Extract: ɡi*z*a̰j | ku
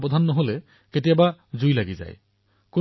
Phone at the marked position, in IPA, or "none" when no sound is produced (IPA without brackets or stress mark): z